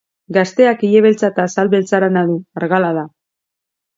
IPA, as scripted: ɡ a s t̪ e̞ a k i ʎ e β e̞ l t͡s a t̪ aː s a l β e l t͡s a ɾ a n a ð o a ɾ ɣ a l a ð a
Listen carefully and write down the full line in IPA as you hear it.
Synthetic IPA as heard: ɡ a s t̪ e̞ a k i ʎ e β e̞ l t͡s a t̪ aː s a l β e l t͡s a ɾ a n a ð u a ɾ ɣ a l a ð a

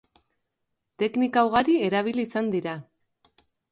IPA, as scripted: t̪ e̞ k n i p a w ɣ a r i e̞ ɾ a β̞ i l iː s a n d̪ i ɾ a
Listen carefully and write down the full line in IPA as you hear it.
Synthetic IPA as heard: t̪ e̞ k n i k a w ɣ a ɾ i e̞ ɾ a β̞ i l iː s a n d̪ i ɾ a

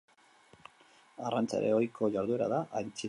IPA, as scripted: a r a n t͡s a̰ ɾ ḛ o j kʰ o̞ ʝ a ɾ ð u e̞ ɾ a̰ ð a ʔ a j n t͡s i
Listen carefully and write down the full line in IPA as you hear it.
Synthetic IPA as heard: a r a n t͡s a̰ ɾ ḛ o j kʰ o̞ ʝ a ɾ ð u e̞ ɾ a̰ ð a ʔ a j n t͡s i

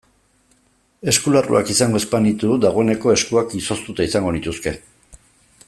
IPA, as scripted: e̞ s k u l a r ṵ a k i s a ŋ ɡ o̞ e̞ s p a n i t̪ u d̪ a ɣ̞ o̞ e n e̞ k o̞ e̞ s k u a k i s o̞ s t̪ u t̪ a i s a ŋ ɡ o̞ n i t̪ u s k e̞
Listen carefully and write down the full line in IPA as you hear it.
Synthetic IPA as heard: e̞ s k u l a r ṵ a k i s a ŋ ɡ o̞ e̞ s p a n i t̪ u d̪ a ɣ̞ o̞ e n e̞ k o̞ e̞ s k u a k i s o̞ s t̪ u t̪ a i s a ŋ ɡ o̞ n i t̪ u s k e̞

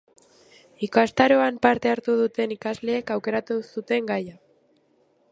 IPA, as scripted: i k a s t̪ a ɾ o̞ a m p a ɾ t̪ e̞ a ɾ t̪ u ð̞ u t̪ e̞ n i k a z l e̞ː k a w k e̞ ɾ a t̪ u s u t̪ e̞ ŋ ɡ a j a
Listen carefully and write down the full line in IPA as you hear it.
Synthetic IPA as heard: i k a s t̪ a ɾ o̞ a m p a ɾ t̪ e̞ a ɾ t̪ u ð̞ u t̪ e̞ n i k a z l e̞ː k a w k e̞ ɾ a t̪ u s u t̪ e̞ ŋ ɡ a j a

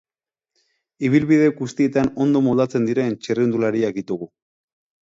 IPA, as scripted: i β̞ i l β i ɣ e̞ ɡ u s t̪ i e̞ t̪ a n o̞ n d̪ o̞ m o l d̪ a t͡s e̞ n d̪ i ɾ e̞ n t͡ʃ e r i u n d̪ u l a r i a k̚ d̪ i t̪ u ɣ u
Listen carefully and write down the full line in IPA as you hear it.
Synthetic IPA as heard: i β̞ i l β i ð e̞ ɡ u s t̪ i e̞ t̪ a n o̞ n d̪ o̞ m o l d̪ a t͡s e̞ n d̪ i ɾ e̞ n t͡ʃ e r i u n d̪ u l a ɾ i a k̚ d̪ i t̪ u ɣ u

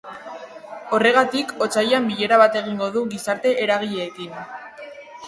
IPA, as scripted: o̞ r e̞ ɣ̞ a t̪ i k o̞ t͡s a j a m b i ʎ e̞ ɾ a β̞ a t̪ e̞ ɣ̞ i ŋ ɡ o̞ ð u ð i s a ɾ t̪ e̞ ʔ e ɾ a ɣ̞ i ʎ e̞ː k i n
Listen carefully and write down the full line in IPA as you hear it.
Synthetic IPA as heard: o̞ r e̞ ɣ̞ a t̪ i k o̞ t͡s a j a m b i ʎ e̞ ɾ a β̞ a t̪ e̞ ɣ̞ i ŋ ɡ o̞ ð u ɣ i s a ɾ t̪ e̞ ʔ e ɾ a ɣ̞ i ʎ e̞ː k i n

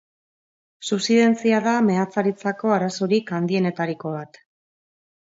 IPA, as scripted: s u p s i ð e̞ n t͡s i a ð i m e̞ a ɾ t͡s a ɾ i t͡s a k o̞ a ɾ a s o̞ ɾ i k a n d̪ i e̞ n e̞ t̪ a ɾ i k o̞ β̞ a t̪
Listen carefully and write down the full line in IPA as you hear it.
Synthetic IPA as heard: s u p s i ð e̞ n t͡s i a ð a m e̞ a t͡s a ɾ i t͡s a k o̞ a ɾ a s o̞ ɾ i k a n d̪ i e̞ n e̞ t̪ a ɾ i k o̞ β̞ a t̪

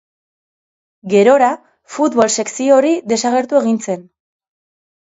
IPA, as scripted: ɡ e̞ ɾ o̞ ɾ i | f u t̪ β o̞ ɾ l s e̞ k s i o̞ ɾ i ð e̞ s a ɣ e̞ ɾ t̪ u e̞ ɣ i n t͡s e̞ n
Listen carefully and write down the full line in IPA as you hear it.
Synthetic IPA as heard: ɡ e̞ ɾ o̞ ɾ a | f u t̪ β o̞ l s e̞ k s i o̞ ɾ i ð e̞ s a ɣ e̞ ɾ t̪ u e̞ ɣ i n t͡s e̞ n

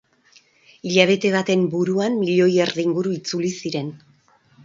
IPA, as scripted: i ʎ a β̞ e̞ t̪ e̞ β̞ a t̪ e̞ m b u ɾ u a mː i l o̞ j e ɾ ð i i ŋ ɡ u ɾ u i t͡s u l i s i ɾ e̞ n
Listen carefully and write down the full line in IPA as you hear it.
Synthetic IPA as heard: i ʎ a β̞ e̞ t̪ e̞ β̞ a t̪ e̞ m b u ɾ u a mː i ʎ o̞ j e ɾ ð i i ŋ ɡ u ɾ u i t͡s u l i s i ɾ e̞ n

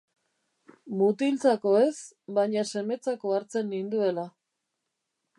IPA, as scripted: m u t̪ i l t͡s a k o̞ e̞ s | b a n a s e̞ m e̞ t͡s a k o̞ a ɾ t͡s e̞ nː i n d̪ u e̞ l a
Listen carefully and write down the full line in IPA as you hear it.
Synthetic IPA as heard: m u t̪ i l t͡s a k o̞ e̞ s | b a ɲ a s e̞ m e̞ t͡s a k o̞ a ɾ t͡s e̞ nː i n d̪ u e̞ l a

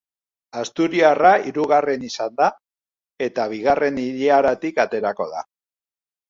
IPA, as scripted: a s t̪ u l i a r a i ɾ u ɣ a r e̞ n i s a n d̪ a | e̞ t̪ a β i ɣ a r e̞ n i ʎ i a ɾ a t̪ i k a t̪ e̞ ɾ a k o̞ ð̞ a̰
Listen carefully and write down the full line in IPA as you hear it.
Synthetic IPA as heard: a s t̪ u ɾ i a r a i ɾ u ɣ a r e̞ n i s a n d̪ a | e̞ t̪ a β i ɣ a r e̞ n i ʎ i a ɾ a t̪ i k a t̪ e̞ ɾ a k o̞ ð̞ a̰

